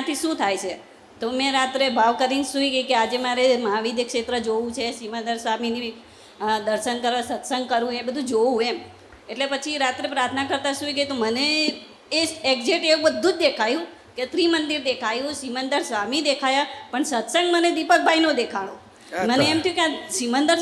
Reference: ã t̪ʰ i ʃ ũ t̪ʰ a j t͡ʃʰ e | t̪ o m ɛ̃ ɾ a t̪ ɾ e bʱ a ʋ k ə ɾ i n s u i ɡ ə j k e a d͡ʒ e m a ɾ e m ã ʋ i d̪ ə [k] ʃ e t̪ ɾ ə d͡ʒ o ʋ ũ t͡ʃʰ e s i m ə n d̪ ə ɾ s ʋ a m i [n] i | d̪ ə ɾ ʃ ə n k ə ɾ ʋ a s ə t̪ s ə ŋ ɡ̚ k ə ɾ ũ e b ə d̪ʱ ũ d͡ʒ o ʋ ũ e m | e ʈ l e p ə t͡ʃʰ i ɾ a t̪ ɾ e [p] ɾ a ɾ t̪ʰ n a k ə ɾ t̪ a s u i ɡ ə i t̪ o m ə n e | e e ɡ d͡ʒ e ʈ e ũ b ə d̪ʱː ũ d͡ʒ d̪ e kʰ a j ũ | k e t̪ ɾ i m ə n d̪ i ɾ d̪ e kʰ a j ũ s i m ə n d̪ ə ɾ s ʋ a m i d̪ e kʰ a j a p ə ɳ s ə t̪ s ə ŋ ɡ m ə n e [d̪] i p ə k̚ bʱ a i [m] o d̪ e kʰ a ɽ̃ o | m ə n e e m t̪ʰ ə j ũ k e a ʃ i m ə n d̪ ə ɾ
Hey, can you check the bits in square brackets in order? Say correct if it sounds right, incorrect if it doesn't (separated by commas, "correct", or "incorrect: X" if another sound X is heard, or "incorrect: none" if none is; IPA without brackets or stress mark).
correct, correct, correct, correct, incorrect: n